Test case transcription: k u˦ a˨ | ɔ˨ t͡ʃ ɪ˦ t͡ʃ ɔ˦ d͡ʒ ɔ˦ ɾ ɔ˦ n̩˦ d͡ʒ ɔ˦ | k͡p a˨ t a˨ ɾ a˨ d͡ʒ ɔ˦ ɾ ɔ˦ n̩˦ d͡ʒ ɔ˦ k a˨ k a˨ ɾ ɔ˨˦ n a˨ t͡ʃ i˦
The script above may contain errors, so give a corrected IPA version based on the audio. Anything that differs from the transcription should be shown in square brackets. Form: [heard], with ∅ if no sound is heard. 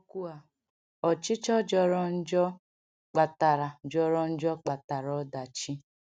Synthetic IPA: k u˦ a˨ | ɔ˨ t͡ʃ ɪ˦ t͡ʃ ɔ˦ d͡ʒ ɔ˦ ɾ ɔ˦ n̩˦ d͡ʒ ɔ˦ | k͡p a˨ t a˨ ɾ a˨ d͡ʒ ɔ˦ ɾ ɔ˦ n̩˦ d͡ʒ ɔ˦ [k͡p] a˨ [t] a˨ ɾ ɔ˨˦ [d] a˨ t͡ʃ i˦